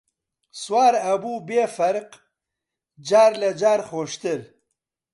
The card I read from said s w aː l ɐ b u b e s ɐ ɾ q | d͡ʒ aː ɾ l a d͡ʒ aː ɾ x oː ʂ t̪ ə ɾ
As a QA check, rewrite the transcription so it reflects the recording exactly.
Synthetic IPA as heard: s w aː ɾ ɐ b u b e f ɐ ɾ q | d͡ʒ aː ɾ l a d͡ʒ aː ɾ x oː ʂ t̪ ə ɾ

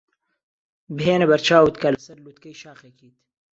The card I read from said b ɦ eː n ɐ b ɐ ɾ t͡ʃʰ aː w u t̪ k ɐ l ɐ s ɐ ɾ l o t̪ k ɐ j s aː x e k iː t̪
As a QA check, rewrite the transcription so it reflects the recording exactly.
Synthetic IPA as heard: b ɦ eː n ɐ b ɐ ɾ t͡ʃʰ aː w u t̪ k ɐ l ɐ s ɐ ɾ l u t̪ k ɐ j ʃ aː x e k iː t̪

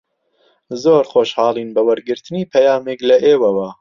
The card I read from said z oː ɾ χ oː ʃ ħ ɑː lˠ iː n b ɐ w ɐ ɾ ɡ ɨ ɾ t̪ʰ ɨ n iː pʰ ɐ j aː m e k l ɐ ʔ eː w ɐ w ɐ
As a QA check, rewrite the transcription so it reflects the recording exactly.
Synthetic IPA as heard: z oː ɾ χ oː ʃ h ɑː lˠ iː n b ɐ w ɐ ɾ ɡ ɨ ɾ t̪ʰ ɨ n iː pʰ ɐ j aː m e k l ɐ ʔ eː w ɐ w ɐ

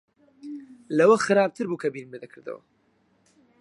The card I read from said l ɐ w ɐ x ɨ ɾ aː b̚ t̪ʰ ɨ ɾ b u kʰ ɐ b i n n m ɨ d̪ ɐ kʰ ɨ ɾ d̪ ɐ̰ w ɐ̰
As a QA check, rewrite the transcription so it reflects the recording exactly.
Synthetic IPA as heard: l ɐ w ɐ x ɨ ɾ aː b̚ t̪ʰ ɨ ɾ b u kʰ ɐ b i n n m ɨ d̪ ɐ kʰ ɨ ɾ d̪ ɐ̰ w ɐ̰

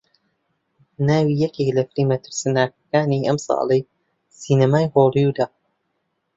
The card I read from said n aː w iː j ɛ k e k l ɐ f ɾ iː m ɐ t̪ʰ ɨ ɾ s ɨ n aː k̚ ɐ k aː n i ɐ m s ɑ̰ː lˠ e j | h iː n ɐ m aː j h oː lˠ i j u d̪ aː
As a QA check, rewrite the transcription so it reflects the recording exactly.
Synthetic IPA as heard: n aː w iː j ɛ k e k l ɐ f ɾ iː m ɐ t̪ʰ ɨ ɾ s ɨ n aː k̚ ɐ k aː n i ɐ m s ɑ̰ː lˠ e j | s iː n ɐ m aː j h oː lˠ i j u d̪ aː

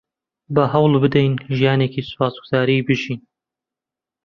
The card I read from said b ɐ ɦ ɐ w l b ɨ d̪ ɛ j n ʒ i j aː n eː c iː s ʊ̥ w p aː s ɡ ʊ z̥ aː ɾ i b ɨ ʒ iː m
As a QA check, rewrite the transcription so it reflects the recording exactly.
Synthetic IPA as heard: b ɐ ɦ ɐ w l b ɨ d̪ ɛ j n ʒ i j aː n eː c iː s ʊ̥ p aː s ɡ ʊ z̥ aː ɾ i b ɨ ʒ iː n

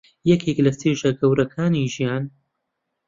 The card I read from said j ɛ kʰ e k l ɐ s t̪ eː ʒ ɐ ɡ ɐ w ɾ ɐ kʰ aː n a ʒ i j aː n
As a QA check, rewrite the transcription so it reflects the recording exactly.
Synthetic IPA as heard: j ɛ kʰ e k l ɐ s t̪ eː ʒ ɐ ɡ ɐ w ɾ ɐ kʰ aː n i ʒ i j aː n

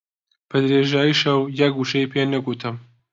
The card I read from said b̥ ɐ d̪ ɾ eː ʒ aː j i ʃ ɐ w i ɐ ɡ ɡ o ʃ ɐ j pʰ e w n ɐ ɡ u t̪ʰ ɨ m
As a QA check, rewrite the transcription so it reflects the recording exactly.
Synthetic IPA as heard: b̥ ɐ d̪ ɾ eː ʒ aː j i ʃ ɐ w j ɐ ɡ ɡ u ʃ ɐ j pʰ e n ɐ ɡ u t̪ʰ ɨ m

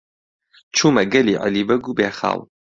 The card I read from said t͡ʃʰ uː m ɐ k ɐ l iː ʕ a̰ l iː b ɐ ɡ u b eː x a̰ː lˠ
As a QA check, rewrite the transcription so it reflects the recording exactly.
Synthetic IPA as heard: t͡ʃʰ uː m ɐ ɡ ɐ l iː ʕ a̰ l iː b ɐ ɡ u b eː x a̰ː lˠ

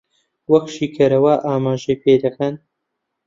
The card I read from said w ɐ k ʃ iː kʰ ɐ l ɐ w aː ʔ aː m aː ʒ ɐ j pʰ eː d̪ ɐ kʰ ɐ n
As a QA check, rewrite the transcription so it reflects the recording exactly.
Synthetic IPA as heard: w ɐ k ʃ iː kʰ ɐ ɾ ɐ w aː ʔ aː m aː ʒ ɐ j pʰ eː d̪ ɐ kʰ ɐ n

